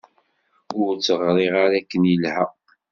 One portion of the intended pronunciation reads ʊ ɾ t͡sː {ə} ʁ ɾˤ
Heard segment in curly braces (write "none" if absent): ə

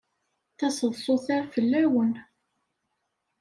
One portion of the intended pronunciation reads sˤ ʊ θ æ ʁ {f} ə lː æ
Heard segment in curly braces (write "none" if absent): f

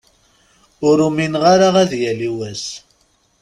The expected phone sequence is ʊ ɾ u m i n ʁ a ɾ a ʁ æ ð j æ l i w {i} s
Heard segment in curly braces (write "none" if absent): æ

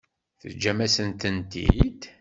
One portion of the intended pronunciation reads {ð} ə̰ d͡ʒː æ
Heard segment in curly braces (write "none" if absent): θ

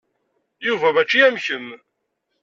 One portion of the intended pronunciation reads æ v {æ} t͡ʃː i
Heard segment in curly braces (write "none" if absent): æ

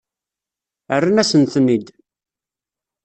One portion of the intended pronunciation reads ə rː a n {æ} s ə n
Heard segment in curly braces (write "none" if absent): æ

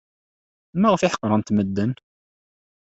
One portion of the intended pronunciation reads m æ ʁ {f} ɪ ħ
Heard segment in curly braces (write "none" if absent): f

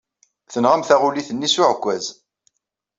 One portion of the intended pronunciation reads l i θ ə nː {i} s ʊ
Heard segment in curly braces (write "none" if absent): i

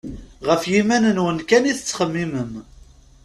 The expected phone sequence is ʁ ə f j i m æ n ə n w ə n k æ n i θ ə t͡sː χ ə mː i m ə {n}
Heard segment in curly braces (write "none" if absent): m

